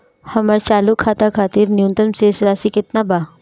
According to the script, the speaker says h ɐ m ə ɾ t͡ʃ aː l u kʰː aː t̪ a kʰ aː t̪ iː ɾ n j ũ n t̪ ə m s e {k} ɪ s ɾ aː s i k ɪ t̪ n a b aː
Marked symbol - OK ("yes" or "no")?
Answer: no